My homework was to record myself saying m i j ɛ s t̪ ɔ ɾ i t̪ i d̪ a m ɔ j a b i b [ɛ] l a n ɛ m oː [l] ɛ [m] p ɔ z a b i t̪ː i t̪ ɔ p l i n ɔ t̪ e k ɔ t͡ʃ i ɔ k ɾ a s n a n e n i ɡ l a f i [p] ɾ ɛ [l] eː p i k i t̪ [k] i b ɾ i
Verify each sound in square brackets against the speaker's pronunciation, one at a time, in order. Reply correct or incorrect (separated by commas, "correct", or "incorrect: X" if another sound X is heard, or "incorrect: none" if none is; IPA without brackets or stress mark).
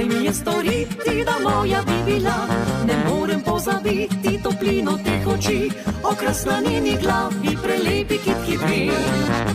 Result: incorrect: i, incorrect: ɾ, correct, correct, correct, correct